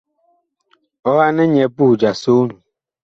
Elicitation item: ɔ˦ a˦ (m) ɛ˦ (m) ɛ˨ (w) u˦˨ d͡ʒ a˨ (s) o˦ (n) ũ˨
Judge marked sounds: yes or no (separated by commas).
no, no, no, yes, yes